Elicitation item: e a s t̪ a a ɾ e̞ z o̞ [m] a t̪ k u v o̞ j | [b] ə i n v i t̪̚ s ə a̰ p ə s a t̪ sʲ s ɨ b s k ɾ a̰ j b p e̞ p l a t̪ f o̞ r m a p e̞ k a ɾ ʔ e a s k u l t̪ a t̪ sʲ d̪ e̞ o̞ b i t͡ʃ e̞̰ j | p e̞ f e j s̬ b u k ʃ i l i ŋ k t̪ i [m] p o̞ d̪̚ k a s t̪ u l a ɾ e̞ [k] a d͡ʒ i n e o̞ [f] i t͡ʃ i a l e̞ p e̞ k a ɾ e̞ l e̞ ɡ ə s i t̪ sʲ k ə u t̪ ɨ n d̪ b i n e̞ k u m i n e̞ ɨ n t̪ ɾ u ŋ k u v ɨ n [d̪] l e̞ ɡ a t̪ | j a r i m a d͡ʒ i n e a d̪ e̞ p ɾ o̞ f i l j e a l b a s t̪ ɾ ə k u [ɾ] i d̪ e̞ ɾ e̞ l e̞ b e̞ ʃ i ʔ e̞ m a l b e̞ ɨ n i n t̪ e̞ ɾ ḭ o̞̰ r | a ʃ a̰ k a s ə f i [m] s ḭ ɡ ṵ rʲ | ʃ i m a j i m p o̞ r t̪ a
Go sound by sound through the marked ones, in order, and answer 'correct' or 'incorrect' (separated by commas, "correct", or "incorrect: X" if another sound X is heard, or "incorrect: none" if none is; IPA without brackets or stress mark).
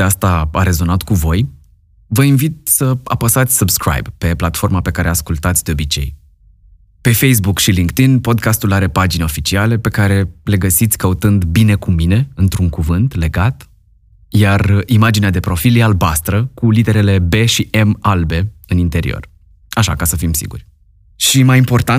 incorrect: n, incorrect: v, incorrect: n, incorrect: p, correct, incorrect: t̪, incorrect: l, correct